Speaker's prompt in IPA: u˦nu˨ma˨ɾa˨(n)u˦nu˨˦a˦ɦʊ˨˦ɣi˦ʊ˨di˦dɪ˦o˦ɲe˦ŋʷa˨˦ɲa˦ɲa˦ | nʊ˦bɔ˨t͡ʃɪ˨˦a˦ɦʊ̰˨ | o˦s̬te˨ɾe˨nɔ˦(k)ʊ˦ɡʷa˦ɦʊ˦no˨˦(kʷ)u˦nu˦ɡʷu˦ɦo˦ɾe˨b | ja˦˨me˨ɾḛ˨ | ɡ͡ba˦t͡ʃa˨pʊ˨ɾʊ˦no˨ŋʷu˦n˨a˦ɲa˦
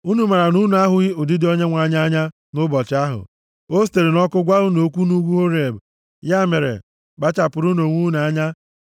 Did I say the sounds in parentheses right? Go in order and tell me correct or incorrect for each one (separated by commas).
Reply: correct, correct, correct